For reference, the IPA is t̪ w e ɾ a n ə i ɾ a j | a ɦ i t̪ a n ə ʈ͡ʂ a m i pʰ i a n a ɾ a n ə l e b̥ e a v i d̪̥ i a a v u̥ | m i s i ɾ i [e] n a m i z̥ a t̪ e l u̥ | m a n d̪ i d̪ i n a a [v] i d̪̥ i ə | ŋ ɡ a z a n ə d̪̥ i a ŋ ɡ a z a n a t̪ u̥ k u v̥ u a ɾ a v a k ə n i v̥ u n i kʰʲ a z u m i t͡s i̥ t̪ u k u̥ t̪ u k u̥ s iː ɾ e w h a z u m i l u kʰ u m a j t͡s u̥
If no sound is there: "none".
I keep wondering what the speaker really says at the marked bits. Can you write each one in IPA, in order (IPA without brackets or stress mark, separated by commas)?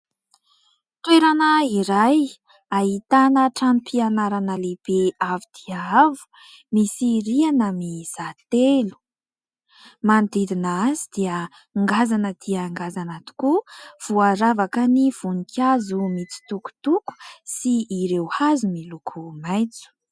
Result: a, z